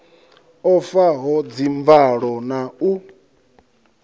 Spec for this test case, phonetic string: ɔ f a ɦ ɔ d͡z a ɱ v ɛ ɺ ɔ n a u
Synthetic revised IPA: ɔ f a ɦ ɔ d͡z i ɱ v a ɺ ɔ n a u